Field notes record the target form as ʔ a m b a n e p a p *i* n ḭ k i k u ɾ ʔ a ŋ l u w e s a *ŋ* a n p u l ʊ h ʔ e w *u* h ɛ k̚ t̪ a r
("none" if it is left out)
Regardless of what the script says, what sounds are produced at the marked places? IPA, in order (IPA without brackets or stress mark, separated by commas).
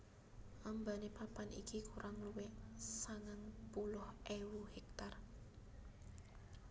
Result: a, ŋ, u